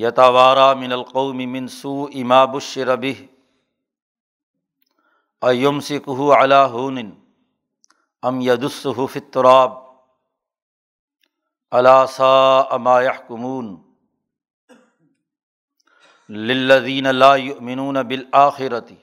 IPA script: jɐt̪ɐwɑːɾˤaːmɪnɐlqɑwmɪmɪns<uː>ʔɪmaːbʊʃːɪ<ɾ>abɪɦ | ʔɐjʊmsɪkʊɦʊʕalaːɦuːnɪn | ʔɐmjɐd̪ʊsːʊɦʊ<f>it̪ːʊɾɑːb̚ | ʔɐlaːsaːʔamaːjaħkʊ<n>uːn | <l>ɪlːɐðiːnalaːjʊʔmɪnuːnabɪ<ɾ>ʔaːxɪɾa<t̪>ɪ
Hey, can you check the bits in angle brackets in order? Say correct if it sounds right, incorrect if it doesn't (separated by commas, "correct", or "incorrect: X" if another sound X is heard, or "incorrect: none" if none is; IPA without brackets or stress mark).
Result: correct, correct, correct, incorrect: m, correct, incorrect: l, correct